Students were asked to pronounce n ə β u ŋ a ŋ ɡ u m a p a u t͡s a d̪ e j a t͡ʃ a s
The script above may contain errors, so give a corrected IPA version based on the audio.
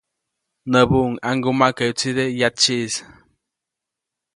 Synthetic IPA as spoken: n ə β u ŋ a ŋ ɡ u m a k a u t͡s i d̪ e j a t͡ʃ i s